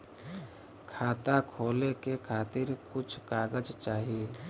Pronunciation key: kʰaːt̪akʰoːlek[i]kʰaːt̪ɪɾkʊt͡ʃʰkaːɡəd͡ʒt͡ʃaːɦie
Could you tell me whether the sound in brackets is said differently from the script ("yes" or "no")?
yes